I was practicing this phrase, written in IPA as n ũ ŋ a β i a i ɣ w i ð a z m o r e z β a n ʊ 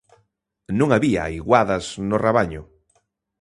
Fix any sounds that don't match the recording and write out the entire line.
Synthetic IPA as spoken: n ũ ŋ a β i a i ɣ w a ð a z n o r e β a ɲ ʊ